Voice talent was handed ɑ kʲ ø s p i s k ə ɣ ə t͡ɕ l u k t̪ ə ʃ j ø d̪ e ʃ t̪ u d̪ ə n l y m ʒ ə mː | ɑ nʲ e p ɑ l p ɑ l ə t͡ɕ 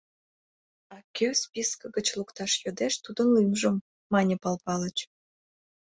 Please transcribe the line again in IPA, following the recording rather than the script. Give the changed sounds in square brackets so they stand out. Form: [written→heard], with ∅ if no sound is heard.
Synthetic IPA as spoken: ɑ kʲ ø s p i s k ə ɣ ə t͡ɕ l u k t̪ [ə→ɑ] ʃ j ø d̪ e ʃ t̪ u d̪ ə n l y m ʒ ə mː | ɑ nʲ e p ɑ l p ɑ l ə t͡ɕ

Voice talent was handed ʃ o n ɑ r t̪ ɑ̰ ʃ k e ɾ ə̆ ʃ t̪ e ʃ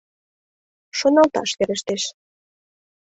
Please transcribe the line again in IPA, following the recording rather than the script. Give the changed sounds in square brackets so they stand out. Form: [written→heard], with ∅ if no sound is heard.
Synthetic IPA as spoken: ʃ o n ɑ [r→l] t̪ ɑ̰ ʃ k e ɾ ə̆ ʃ t̪ e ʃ

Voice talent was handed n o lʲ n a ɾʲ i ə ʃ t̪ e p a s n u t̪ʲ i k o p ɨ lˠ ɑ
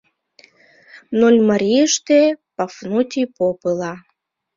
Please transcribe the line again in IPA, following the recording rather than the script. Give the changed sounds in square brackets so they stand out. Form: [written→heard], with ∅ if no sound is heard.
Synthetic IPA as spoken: n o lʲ [n→m] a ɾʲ i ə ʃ t̪ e p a [s→f] n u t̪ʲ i [k→p] o p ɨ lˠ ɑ

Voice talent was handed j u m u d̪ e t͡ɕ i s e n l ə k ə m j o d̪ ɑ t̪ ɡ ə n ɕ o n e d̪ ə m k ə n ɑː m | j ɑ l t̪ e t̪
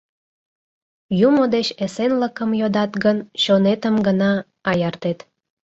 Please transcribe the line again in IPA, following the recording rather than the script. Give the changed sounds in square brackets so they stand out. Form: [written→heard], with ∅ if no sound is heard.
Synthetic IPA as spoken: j u m [u→o] d̪ e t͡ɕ [i→e] s e n l ə k ə m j o d̪ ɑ t̪ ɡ ə n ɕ o n e [d̪→t̪] ə m [k→ɡ] ə n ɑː [m→∅] | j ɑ [l→r] t̪ e t̪

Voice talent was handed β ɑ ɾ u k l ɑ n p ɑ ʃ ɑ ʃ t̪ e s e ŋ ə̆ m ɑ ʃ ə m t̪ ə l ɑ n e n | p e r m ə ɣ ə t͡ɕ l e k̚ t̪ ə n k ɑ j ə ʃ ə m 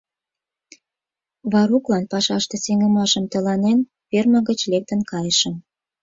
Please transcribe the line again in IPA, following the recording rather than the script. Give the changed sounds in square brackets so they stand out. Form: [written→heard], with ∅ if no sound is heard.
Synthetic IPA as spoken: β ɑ ɾ u k l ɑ n p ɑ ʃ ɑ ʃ t̪ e s e ŋ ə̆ m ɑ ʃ ə m t̪ ə l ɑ n e n | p e r m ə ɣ ə t͡ɕ l e k̚ t̪ ə n k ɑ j ə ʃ ə m

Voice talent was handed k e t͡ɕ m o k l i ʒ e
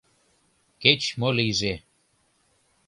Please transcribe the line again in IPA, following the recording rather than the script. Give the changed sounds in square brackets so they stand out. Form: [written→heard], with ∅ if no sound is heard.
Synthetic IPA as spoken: k e t͡ɕ m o [k→∅] l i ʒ e

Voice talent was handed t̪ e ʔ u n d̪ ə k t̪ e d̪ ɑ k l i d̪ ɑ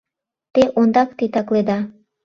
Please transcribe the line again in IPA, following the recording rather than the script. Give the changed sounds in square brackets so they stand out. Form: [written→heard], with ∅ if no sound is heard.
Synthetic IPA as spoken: t̪ e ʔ [u→o] n d̪ [ə→ɑ] k t̪ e [d̪→t̪] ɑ k l [i→e] d̪ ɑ

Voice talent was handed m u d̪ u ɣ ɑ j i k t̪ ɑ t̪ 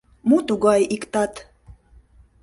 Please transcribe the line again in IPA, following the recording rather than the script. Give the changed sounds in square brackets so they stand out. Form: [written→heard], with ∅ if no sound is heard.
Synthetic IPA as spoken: m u [d̪→t̪] u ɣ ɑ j i k t̪ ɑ t̪

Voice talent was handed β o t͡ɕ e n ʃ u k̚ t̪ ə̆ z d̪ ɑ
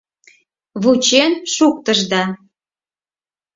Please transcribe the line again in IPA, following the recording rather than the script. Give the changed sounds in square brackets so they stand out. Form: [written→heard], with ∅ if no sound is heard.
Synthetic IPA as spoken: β [o→u] t͡ɕ e n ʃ u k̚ t̪ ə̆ [z→ʒ] d̪ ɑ

